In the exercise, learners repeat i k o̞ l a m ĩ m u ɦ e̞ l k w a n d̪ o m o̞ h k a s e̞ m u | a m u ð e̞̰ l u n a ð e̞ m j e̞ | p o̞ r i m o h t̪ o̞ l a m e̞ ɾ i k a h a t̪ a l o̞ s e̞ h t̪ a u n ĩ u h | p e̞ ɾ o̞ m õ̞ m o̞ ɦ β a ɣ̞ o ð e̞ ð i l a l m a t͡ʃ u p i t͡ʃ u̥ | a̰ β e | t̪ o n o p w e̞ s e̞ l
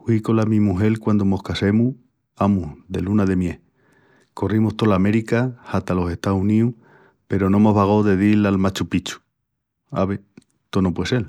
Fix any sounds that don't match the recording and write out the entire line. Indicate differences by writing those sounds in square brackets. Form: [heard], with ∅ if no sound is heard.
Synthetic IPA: i k o̞ l a m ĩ m u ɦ e̞ l k w a n d̪ o m o̞ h k a s e̞ m u | a m u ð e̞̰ l u n a ð e̞ m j e̞ | [k] o̞ r i m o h t̪ o̞ l a m e̞ ɾ i k a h a t̪ a l o̞ s e̞ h t̪ a u n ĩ u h | p e̞ ɾ o̞ [n] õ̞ m o̞ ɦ β a ɣ̞ o ð e̞ ð i l a l m a t͡ʃ u p i t͡ʃ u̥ | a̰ β e | t̪ o n o p w e̞ s e̞ l